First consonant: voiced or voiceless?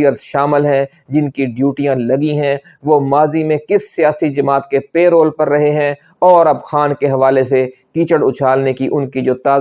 voiced